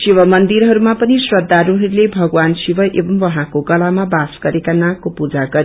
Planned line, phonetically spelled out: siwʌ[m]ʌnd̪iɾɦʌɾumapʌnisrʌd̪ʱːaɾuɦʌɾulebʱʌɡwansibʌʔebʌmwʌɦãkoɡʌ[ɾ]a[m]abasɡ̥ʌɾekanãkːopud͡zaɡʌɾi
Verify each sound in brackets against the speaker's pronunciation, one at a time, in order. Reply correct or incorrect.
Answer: correct, incorrect: l, correct

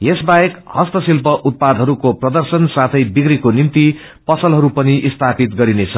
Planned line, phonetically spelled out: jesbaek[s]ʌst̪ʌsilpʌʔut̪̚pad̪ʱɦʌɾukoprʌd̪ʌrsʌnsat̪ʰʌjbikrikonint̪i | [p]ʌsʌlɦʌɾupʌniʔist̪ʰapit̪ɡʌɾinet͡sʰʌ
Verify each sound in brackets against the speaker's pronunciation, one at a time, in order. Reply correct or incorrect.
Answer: incorrect: h, correct

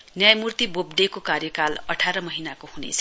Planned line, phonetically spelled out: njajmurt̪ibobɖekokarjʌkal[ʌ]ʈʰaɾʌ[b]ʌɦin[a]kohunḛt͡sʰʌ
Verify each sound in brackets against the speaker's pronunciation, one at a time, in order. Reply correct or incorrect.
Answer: correct, incorrect: m, correct

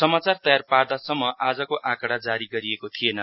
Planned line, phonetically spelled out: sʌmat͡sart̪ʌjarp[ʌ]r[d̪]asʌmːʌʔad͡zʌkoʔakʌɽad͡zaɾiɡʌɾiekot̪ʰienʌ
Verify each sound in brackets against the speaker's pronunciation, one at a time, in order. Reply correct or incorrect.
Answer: incorrect: a, correct

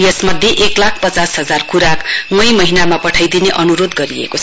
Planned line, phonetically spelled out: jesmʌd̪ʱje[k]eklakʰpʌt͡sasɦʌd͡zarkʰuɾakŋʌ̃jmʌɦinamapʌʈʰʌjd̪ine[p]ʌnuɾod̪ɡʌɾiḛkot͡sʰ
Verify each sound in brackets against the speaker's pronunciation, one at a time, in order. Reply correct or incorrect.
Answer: incorrect: ʔ, incorrect: ʔ

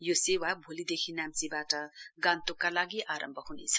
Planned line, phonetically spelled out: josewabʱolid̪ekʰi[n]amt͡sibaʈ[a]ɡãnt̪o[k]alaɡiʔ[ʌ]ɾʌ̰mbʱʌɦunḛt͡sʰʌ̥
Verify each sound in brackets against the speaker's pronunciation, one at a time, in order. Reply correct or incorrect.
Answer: correct, incorrect: ʌ, correct, incorrect: a

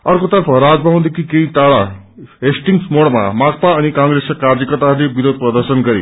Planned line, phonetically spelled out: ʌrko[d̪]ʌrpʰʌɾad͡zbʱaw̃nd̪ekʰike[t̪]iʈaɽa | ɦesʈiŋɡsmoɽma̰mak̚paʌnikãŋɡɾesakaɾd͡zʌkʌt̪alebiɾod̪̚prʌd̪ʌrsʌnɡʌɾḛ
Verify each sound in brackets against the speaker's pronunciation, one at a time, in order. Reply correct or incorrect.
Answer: incorrect: t̪, incorrect: none

